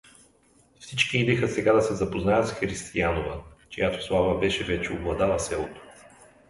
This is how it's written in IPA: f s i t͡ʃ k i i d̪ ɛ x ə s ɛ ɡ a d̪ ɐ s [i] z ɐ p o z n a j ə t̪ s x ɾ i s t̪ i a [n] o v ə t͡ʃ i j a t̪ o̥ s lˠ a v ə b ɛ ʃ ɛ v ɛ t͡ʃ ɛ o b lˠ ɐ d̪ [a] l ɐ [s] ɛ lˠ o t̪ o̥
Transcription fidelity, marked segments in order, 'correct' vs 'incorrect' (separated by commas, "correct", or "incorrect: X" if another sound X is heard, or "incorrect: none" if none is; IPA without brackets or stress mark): incorrect: ɛ, correct, correct, correct